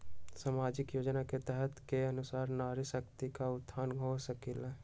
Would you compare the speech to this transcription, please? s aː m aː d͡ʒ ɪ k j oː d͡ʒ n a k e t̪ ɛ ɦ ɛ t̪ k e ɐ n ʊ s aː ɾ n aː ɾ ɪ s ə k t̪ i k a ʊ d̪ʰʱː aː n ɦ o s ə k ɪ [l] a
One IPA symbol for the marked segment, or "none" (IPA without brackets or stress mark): l